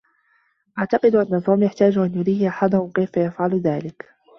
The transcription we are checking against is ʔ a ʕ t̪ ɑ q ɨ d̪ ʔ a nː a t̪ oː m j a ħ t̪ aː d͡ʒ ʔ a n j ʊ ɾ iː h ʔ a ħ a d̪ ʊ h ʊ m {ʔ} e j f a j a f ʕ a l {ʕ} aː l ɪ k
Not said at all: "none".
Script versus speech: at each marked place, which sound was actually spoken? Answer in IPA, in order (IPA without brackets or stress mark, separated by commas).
k, ð